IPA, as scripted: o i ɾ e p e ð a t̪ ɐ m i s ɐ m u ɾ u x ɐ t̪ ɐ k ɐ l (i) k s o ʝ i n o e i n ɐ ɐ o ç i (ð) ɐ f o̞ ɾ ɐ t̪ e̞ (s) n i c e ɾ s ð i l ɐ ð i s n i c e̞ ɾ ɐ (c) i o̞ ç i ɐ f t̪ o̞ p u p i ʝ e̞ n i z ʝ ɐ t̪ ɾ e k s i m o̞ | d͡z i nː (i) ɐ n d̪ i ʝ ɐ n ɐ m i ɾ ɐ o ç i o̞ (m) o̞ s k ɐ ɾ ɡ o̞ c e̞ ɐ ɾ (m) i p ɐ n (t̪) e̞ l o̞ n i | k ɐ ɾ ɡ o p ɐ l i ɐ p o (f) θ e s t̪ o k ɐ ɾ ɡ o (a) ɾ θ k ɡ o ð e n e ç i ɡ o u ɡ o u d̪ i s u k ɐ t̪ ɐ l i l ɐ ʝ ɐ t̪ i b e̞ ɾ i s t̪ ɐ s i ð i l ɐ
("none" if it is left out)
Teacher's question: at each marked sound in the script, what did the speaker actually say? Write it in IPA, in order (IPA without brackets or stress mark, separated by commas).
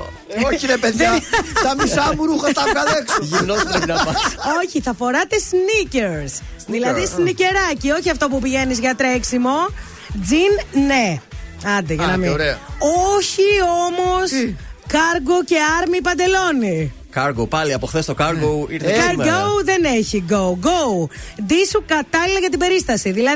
e, θ, s, c, e, m, m, d̪, x, i